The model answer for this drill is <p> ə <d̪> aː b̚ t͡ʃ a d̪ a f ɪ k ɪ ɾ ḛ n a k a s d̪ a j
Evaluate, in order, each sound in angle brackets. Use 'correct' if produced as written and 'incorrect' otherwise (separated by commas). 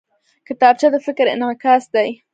incorrect, incorrect